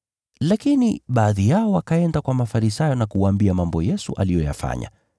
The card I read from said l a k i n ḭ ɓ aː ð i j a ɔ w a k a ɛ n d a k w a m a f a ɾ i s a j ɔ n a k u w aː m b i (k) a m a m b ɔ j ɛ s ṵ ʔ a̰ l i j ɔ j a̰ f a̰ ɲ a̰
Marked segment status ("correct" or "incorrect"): incorrect